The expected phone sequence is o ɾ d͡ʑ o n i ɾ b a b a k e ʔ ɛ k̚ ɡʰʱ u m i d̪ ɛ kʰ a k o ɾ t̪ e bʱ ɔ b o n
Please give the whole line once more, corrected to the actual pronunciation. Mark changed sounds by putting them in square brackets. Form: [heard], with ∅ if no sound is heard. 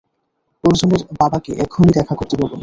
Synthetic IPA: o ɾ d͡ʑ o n [e] ɾ b a b a k e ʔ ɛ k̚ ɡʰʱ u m i d̪ ɛ kʰ a k o ɾ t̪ e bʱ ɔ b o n